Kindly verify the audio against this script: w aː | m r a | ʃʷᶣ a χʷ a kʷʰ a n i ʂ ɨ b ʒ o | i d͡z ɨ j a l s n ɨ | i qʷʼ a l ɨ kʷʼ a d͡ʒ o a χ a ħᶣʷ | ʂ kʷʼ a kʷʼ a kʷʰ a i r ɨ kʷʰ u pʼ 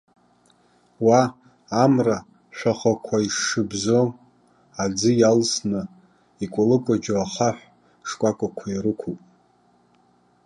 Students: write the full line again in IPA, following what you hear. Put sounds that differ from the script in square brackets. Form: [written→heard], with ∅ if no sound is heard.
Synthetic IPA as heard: w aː | m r a | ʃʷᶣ a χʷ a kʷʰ a [n→∅] i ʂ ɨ b [ʒ→z] o | [i→a] d͡z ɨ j a l s n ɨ | i [qʷʼ→kʷʼ] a l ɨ kʷʼ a d͡ʒ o a χ a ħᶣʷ | ʂ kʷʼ a kʷʼ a kʷʰ a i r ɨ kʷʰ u pʼ